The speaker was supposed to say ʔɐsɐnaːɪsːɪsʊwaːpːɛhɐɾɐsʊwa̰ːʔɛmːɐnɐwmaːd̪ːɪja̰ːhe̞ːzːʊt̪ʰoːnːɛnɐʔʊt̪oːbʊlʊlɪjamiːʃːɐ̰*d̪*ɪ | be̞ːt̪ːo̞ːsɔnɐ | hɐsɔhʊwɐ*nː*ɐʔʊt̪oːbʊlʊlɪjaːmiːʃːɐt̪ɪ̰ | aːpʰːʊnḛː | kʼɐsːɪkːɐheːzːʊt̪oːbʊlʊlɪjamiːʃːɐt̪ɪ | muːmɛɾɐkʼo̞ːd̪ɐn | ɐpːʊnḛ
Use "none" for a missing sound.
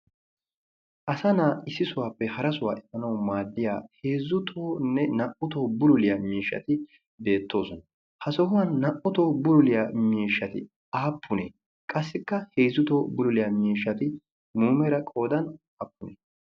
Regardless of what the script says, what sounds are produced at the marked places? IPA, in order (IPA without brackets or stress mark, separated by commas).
t̪, nː